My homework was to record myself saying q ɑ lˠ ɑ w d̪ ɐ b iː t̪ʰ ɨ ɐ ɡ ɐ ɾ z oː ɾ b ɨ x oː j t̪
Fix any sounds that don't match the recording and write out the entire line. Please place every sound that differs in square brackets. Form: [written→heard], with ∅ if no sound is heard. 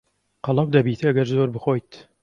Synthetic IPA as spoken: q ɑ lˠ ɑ w d̪ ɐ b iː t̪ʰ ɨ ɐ ɡ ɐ ɾ z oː ɾ b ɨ x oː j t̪